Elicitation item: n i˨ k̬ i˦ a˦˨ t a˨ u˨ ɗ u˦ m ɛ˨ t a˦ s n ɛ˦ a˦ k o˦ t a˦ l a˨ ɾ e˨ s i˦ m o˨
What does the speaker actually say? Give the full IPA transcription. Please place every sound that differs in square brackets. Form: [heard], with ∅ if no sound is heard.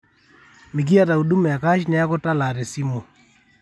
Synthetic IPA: [m] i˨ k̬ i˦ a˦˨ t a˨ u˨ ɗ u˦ m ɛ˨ [k] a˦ [ʃ] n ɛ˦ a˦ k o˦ t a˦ l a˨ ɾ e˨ s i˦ m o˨